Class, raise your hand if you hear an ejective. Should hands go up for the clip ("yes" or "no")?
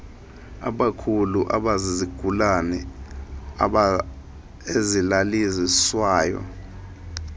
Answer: no